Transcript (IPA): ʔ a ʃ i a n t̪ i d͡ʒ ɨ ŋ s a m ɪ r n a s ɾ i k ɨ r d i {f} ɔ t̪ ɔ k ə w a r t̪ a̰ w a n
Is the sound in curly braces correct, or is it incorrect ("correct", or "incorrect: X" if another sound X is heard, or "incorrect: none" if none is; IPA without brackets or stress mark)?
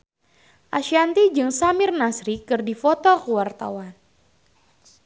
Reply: correct